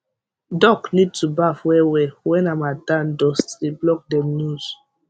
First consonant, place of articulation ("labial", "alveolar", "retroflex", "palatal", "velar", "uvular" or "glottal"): alveolar